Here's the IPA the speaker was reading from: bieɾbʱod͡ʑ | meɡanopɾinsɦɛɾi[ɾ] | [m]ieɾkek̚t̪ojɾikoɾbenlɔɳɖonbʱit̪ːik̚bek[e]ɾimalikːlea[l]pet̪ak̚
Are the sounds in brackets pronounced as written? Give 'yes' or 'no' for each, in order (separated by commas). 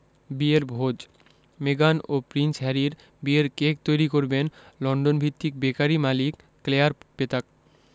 yes, no, no, no